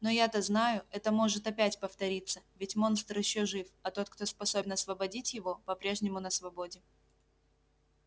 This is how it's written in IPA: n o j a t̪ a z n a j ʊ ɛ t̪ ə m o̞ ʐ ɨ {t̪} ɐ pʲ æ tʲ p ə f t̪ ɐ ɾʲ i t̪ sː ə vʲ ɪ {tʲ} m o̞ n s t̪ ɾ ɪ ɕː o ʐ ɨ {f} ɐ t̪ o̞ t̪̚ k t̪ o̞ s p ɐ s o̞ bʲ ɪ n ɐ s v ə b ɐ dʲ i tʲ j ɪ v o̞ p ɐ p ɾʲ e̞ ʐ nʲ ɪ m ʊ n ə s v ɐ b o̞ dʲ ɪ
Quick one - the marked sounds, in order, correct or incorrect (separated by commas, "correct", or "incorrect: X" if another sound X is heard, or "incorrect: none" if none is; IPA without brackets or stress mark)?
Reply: correct, correct, correct